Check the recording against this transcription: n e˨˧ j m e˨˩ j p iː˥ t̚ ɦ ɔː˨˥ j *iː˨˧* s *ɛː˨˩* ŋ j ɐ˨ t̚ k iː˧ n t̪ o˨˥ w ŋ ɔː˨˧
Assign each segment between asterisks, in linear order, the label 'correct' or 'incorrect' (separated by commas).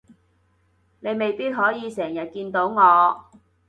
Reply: correct, correct